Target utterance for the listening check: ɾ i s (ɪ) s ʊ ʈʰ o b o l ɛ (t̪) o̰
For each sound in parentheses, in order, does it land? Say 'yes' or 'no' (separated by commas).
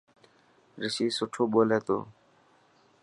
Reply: no, yes